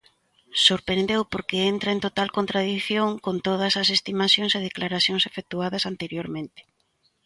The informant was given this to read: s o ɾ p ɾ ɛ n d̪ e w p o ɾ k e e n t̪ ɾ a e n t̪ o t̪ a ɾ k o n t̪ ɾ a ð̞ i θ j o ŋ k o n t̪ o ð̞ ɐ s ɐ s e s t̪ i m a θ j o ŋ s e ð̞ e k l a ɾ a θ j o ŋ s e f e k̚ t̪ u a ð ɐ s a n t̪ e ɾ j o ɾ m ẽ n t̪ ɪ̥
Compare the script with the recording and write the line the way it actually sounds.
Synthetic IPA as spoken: s o ɾ p ɾ e n d̪ e w p o ɾ k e e n t̪ ɾ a e n t̪ o t̪ a l k o n t̪ ɾ a ð̞ i θ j o ŋ k o n t̪ o ð̞ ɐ s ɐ s e s t̪ i m a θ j o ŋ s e ð̞ e k l a ɾ a θ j o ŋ s e f e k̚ t̪ u a ð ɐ s a n t̪ e ɾ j o ɾ m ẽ n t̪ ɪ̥